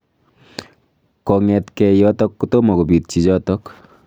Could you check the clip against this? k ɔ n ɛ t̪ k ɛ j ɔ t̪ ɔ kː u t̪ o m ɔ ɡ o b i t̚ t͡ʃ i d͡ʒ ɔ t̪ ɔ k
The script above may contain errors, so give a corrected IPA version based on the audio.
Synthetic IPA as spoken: k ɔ ŋ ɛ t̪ k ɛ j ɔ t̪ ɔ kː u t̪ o m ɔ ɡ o b i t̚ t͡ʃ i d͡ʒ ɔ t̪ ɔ k